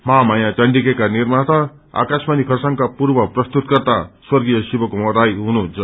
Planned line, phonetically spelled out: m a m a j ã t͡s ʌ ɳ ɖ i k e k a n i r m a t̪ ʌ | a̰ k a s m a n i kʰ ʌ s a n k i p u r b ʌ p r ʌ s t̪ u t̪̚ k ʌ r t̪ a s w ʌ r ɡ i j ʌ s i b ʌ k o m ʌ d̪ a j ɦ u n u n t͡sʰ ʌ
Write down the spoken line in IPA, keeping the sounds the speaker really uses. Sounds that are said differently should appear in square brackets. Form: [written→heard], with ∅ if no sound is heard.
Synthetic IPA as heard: m a m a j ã t͡s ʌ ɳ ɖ i k e k a n i r m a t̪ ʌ | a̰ k a s m a n i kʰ ʌ s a [n→ŋ] k [i→a] p u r b ʌ p r ʌ s t̪ u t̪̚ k ʌ r t̪ a s w ʌ r ɡ i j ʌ s i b ʌ k o m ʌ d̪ a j ɦ u n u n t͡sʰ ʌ